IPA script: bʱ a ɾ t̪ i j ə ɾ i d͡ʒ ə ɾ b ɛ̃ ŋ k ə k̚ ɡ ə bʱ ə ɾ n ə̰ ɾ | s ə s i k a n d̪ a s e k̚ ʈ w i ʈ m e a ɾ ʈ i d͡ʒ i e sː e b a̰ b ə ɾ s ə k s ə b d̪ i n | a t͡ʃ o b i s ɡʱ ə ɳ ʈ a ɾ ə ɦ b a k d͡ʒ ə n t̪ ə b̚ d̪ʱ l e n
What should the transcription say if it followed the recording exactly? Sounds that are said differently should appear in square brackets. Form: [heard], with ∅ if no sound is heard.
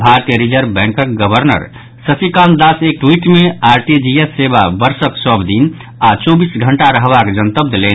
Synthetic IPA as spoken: bʱ a ɾ t̪ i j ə ɾ i d͡ʒ ə ɾ b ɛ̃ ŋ k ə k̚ ɡ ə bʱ ə ɾ n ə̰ ɾ | s ə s i k a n d̪ a s e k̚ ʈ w i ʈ m e a ɾ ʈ i d͡ʒ i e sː e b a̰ b ə ɾ s ə k s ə b d̪ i n | a t͡ʃ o b i s ɡʱ ə ɳ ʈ a ɾ ə ɦ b a k d͡ʒ ə n t̪ ə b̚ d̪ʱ l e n